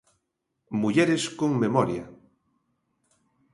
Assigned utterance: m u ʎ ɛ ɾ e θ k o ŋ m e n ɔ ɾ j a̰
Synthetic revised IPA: m u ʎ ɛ ɾ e s k o ŋ m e m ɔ ɾ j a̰